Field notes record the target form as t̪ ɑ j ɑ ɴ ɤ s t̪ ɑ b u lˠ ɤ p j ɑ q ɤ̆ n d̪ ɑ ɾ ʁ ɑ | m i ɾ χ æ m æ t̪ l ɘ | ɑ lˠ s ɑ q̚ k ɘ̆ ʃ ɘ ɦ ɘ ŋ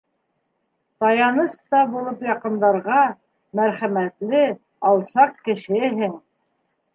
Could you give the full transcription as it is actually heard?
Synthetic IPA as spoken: t̪ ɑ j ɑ n ɤ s t̪ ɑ b u lˠ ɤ p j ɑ q ɤ̆ n d̪ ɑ ɾ ʁ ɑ | m æ ɾ χ æ m æ t̪ l ɘ | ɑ lˠ s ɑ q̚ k ɘ̆ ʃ ɘ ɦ ɘ ŋ